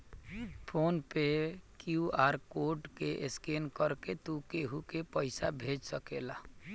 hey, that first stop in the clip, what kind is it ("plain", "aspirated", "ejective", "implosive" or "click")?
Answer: aspirated